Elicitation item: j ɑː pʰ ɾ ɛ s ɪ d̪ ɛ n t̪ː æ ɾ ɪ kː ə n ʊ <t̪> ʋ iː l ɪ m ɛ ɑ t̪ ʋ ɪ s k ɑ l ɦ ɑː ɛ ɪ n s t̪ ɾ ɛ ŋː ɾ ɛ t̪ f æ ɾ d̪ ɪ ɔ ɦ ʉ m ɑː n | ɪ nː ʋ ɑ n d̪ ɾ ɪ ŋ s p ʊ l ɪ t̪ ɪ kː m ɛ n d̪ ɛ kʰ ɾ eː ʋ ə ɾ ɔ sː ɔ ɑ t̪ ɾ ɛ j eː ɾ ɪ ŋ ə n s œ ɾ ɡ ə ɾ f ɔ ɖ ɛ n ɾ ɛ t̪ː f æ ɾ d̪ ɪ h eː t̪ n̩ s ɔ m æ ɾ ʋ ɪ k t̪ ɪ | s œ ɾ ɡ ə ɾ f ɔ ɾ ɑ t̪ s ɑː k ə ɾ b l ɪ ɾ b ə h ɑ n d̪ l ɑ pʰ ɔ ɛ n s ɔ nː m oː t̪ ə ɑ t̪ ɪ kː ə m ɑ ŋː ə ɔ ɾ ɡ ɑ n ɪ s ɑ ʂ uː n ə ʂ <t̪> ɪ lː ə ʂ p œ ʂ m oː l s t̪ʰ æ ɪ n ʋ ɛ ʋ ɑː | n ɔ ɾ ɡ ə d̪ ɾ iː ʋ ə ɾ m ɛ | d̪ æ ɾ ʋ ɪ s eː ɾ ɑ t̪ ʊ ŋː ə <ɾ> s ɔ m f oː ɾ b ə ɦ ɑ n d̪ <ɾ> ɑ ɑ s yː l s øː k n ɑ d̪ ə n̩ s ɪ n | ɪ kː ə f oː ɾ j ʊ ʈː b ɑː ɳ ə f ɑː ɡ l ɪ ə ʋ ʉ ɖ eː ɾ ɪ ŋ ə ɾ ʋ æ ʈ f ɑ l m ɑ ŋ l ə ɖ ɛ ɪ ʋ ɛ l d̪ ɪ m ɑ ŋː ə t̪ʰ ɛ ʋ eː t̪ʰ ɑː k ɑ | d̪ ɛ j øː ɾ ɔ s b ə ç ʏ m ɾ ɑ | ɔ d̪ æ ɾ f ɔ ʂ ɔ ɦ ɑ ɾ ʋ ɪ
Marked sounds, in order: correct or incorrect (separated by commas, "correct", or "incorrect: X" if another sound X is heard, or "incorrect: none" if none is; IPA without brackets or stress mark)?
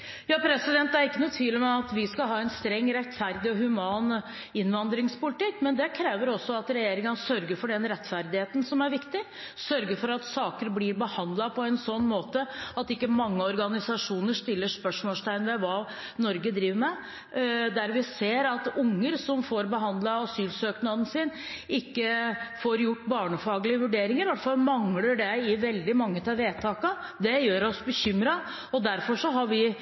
incorrect: t̪ʰ, correct, correct, incorrect: l